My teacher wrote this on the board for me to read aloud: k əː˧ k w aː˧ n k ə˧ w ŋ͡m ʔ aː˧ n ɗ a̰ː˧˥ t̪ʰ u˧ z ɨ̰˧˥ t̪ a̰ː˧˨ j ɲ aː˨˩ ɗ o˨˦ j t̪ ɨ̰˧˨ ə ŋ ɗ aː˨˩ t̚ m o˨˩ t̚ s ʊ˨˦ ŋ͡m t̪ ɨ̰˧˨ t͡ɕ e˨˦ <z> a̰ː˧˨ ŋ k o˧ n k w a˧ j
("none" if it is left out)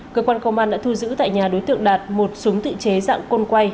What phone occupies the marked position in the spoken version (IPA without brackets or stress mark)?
z